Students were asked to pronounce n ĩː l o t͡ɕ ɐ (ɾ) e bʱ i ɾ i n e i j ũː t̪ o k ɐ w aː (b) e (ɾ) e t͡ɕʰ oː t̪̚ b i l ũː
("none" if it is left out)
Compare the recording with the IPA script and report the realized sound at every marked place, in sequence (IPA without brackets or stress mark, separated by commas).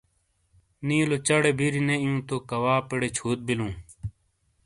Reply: ɽ, p, ɽ